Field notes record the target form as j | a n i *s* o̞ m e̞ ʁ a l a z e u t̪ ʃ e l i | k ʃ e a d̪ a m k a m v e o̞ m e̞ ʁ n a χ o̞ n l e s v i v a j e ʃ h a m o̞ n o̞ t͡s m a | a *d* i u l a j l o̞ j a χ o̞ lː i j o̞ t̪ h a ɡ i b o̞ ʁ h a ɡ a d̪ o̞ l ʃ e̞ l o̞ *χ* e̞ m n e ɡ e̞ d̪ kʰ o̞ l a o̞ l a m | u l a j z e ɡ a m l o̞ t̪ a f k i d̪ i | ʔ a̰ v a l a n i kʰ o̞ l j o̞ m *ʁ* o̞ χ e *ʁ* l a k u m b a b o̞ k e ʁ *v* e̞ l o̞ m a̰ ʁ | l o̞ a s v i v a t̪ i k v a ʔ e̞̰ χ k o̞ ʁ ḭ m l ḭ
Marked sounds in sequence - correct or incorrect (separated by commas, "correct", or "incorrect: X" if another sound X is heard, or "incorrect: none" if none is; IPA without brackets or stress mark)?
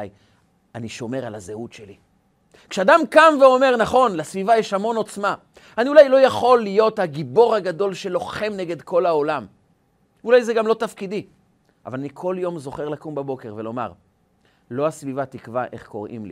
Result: incorrect: ʃ, incorrect: n, correct, incorrect: z, correct, correct